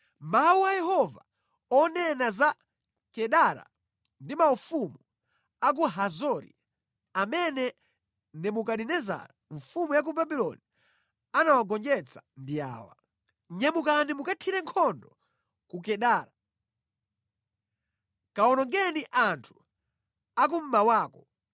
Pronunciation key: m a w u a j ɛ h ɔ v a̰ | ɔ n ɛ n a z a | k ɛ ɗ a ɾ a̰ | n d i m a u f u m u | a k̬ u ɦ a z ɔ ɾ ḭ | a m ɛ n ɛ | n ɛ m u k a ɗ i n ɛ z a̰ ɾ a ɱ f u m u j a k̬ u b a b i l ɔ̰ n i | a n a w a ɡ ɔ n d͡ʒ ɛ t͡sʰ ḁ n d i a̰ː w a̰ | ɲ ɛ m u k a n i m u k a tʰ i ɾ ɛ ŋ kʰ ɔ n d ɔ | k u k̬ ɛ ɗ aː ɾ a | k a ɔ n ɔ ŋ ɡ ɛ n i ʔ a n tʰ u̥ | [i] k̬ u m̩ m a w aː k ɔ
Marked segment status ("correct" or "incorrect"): incorrect